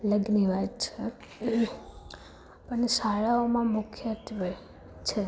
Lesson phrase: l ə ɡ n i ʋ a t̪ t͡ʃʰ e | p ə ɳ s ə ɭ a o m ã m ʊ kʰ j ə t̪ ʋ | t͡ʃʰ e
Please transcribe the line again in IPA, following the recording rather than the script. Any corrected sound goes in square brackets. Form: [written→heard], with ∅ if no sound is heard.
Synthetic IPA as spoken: l ə ɡ n i ʋ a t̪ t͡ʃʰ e | p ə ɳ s [ə→a] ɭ a o m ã m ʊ kʰ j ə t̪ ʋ | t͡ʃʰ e

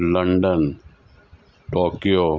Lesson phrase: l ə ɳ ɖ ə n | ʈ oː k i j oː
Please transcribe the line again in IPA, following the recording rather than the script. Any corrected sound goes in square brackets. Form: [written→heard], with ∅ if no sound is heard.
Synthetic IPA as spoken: l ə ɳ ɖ ə n | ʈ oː k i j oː

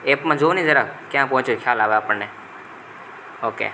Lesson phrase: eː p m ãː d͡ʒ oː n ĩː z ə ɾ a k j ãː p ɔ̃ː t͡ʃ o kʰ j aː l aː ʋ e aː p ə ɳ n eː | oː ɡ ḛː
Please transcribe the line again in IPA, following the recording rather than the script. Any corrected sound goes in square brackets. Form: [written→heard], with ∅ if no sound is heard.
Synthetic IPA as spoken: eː p m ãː d͡ʒ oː n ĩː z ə ɾ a k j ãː p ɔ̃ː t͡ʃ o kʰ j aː l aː ʋ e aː p ə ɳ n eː | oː [ɡ→k] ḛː

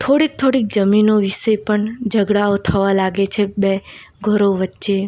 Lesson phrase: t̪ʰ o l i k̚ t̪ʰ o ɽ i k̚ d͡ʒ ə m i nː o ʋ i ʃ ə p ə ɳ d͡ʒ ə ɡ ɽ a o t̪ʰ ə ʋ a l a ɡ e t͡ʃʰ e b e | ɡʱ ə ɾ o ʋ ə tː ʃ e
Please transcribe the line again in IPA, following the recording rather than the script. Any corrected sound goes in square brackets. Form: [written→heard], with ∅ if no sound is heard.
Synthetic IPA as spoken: t̪ʰ o [l→ɽ] i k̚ t̪ʰ o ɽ i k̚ d͡ʒ ə m i [nː→n] o ʋ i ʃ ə p ə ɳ d͡ʒ ə ɡ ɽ a o t̪ʰ ə ʋ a l a ɡ e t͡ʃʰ e b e | ɡʱ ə ɾ o ʋ ə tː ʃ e

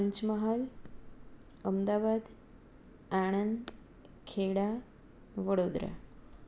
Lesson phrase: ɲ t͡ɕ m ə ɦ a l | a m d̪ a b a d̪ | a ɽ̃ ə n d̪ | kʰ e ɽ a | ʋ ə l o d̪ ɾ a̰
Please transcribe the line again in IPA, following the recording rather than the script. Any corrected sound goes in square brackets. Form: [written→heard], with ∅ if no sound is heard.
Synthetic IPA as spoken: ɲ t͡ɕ m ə ɦ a l | [a→ə] m d̪ a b a d̪ | a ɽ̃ ə n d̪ | kʰ e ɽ a | ʋ ə [l→ɽ] o d̪ ɾ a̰

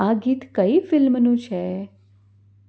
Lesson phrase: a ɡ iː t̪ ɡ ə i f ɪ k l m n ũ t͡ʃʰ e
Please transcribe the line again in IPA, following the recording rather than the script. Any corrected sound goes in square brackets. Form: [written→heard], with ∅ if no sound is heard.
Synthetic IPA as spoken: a ɡ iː t̪ [ɡ→k] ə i f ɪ [k→∅] l m n ũ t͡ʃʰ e

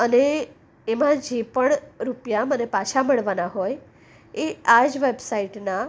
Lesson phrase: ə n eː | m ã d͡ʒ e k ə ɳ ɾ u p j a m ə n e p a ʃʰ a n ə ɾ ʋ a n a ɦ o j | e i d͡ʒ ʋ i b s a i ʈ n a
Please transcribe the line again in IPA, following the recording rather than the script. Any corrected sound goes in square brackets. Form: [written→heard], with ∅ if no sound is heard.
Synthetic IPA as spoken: ə n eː | m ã d͡ʒ e [k→p] ə ɳ ɾ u p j a m ə n e p a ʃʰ a [n→m] ə [ɾ→ɭ] ʋ a n a ɦ o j | e [i→a] d͡ʒ ʋ [i→e] b s a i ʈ n a

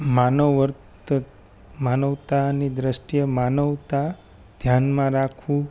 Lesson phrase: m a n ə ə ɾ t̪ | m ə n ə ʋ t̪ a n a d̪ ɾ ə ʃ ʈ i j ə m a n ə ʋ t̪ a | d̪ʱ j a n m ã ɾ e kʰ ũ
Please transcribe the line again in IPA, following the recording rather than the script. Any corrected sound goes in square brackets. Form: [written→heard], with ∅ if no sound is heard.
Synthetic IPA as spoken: m a n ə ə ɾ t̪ | m [ə→a] n ə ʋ t̪ a n [a→i] d̪ ɾ ə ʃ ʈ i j ə m a n ə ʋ t̪ a | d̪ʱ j a n m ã ɾ [e→a] kʰ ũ

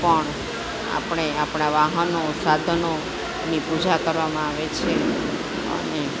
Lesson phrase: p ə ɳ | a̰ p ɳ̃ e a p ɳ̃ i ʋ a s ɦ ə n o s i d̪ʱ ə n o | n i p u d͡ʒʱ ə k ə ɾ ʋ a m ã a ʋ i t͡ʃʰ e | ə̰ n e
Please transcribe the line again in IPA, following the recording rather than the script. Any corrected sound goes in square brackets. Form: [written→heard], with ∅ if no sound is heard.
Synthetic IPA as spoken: p ə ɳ | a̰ p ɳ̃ e a p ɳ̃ [i→a] ʋ a [s→∅] ɦ ə n o s [i→a] d̪ʱ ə n o | n i p u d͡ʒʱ [ə→a] k ə ɾ ʋ a m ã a ʋ [i→e] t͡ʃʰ e | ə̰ n e

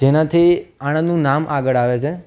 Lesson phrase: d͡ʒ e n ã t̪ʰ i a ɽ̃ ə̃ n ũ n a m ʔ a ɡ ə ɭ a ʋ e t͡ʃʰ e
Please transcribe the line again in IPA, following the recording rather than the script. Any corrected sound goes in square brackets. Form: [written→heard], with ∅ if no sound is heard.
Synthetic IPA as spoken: d͡ʒ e n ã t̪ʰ i a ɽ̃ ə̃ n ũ n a m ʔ a ɡ ə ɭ a ʋ e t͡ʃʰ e

